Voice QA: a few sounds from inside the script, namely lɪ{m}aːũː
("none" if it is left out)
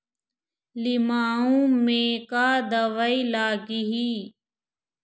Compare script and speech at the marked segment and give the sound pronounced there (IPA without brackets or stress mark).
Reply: m